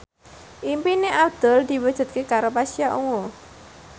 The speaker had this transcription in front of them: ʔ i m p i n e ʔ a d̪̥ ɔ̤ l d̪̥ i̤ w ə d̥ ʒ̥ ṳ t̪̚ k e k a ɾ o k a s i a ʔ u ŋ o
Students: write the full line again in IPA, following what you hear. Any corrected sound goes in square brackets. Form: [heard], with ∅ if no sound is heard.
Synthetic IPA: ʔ i m p i n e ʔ a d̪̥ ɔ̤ l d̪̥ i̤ w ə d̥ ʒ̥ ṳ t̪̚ k e k a ɾ o [p] a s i a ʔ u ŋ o